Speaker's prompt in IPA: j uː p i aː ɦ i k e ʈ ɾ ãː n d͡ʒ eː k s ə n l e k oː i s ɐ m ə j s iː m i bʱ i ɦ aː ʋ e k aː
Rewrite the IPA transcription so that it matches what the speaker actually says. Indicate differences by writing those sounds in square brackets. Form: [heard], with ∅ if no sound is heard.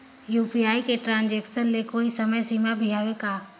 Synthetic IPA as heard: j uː p i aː [∅] i k e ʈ ɾ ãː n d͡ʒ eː k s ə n l e k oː i s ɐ m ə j s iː m [a] bʱ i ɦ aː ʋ e k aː